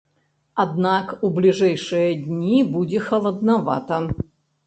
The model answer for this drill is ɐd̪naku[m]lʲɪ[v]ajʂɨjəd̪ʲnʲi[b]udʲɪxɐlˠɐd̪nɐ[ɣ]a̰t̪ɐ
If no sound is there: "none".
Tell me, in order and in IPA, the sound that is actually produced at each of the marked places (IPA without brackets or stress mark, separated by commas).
b, ʐ, b, v